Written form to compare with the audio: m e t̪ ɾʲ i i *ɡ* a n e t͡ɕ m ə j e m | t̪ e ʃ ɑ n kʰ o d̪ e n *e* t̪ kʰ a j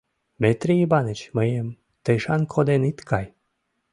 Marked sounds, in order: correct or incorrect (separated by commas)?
incorrect, incorrect